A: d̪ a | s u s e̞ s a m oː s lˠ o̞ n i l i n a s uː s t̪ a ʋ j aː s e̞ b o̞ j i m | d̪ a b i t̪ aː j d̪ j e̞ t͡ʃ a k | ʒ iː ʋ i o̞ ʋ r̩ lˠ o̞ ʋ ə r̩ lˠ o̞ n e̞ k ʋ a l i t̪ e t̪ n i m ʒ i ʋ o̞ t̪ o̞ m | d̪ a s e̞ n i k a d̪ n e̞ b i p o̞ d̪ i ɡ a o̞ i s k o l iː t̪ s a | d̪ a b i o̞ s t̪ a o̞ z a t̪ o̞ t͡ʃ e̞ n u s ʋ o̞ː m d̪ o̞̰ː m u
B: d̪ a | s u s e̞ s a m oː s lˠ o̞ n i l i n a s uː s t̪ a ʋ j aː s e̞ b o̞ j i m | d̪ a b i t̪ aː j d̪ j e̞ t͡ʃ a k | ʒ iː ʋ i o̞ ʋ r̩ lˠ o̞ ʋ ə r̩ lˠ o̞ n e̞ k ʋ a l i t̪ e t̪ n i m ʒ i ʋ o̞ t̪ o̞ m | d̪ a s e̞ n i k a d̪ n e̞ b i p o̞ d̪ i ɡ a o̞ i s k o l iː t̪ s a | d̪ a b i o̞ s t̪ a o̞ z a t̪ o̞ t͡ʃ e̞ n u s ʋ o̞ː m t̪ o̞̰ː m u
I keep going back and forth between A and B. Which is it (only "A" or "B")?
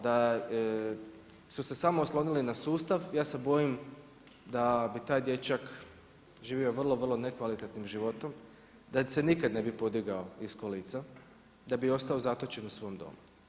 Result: A